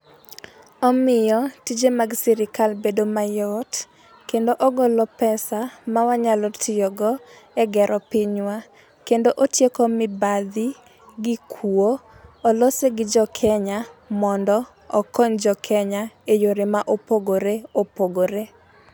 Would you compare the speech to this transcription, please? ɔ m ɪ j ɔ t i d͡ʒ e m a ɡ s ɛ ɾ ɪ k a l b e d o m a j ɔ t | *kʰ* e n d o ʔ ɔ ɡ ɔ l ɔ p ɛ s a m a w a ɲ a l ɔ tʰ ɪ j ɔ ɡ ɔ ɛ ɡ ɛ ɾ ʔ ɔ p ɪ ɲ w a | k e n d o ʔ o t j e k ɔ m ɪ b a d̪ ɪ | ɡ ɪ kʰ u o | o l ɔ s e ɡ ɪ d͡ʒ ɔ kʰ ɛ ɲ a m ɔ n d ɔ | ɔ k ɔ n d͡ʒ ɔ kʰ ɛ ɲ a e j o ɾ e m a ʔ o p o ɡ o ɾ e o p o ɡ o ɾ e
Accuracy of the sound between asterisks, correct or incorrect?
incorrect